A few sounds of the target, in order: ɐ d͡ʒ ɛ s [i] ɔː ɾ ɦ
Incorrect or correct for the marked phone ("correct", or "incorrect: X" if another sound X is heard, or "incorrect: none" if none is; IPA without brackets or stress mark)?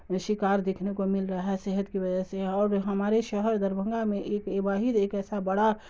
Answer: incorrect: e